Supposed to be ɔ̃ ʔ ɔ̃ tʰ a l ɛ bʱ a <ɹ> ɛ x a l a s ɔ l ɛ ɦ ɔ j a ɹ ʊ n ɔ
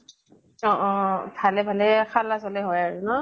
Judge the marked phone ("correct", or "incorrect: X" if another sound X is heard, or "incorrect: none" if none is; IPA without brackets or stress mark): incorrect: l